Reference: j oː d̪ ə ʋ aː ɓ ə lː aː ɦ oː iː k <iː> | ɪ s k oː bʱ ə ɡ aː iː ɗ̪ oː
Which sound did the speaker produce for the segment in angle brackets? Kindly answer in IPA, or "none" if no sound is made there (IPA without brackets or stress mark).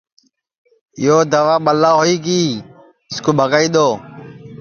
iː